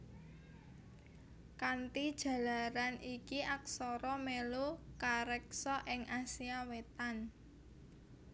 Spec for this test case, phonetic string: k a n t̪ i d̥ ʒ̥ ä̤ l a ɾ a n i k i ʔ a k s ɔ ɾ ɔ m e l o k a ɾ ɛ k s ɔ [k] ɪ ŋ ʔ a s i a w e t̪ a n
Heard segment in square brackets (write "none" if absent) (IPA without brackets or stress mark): ʔ